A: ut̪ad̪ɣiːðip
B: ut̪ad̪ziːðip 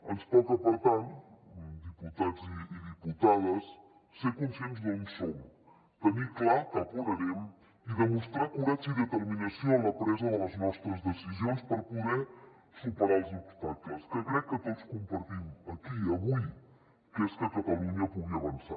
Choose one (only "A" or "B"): B